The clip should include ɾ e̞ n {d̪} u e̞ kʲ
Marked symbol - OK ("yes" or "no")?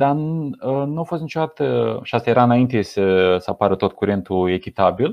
no